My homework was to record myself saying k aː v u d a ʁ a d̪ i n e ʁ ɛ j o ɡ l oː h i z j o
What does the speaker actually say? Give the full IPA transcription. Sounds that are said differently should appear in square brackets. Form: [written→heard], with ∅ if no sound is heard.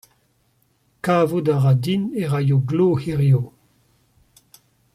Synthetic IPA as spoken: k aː v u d a ʁ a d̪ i n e ʁ [ɛ→a] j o ɡ l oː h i [z→ʁ] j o